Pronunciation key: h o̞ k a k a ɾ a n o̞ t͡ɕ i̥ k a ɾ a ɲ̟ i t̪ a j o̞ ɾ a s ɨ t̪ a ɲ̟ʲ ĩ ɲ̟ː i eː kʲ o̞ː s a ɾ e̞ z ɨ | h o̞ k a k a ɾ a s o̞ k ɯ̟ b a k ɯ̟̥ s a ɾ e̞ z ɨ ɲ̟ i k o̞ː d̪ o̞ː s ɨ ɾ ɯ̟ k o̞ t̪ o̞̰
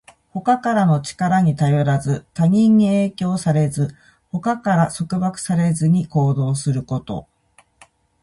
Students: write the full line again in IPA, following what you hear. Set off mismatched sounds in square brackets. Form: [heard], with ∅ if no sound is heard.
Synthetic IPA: h o̞ k a k a ɾ a n o̞ t͡ɕ i̥ k a ɾ a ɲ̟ i t̪ a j o̞ ɾ a [z] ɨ t̪ a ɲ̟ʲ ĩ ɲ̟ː i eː kʲ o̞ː s a ɾ e̞ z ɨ | h o̞ k a k a ɾ a s o̞ k ɯ̟ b a k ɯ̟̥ s a ɾ e̞ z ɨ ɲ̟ i k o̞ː d̪ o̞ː s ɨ ɾ ɯ̟ k o̞ t̪ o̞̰